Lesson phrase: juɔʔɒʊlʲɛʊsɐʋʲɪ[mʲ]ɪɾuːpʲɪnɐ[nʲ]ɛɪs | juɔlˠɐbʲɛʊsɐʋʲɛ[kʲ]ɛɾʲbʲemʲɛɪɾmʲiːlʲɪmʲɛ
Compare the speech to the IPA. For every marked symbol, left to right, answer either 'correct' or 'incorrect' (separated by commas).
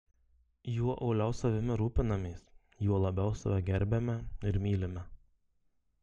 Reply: correct, incorrect, incorrect